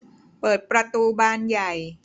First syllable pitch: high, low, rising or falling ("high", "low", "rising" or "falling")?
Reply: low